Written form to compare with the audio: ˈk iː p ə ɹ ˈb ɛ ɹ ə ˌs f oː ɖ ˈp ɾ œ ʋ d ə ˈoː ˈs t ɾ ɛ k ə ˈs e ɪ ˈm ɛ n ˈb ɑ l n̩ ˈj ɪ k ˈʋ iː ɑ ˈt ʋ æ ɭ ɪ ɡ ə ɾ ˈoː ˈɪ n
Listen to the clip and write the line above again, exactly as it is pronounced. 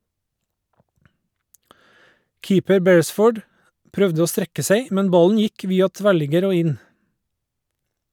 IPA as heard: ˈk iː p ə ɾ ˈb ɛ ɹ ə ˌs f oː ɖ ˈp ɾ œ ʋ d ə ˈoː ˈs t ɾ ɛ k ə ˈs e ɪ ˈm ɛ n ˈb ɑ l n̩ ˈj ɪ k ˈʋ iː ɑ ˈt ʋ æ ɭ ɪ ɡ ə ɾ ˈoː ˈɪ n